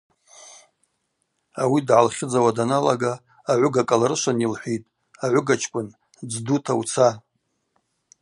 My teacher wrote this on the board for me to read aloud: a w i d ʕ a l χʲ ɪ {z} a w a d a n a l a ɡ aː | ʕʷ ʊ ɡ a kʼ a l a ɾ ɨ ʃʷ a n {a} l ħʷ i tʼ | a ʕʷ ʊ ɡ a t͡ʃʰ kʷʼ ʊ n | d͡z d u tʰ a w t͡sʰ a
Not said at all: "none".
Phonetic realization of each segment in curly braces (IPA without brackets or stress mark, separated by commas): d͡z, i